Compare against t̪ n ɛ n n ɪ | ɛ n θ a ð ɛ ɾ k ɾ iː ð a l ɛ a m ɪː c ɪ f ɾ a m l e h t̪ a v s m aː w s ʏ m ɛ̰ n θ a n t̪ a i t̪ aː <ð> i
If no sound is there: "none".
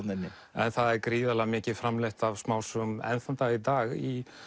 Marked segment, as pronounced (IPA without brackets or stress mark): ɣ